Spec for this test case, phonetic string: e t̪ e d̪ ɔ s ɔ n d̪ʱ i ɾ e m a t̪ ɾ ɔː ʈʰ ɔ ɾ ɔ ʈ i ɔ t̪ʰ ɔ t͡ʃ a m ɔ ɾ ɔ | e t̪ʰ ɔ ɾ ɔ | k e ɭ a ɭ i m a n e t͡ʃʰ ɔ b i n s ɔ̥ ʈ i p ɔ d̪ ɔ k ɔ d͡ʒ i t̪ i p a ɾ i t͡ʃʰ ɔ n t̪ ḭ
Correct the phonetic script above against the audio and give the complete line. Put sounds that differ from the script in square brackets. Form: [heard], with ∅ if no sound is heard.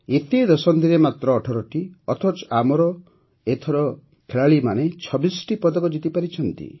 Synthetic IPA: e t̪ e d̪ ɔ s ɔ n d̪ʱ i ɾ e m a t̪ ɾ ɔː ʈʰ ɔ ɾ ɔ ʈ i ɔ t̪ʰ ɔ t͡ʃ a m ɔ ɾ ɔ | e t̪ʰ ɔ ɾ ɔ | [kʰ] e ɭ a ɭ i m a n e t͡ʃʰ ɔ b i [∅] s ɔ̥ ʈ i p ɔ d̪ ɔ k ɔ d͡ʒ i t̪ i p a ɾ i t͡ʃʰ ɔ n t̪ ḭ